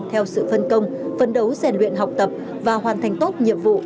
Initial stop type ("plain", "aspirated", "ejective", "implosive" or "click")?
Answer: aspirated